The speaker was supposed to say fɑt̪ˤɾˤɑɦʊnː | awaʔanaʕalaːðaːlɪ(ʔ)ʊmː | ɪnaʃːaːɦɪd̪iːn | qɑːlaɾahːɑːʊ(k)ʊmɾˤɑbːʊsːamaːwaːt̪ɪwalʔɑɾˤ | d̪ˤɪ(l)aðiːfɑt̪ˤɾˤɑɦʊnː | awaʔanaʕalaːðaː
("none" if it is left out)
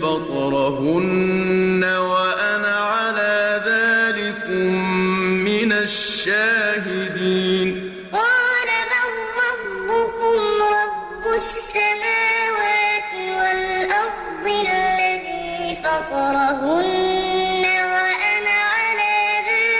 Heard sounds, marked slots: k, k, lː

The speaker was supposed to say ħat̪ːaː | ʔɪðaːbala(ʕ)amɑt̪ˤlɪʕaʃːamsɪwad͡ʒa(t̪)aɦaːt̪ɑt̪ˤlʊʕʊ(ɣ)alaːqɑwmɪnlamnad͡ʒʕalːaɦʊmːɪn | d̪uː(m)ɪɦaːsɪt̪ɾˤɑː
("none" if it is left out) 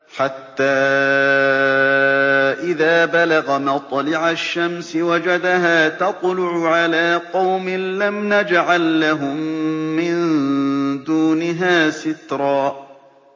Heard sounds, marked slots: ɣ, d̪, ʕ, n

